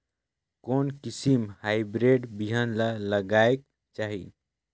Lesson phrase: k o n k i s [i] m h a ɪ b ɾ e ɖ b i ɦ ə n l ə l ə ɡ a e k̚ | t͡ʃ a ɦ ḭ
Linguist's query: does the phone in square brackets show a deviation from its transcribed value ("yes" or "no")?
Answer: no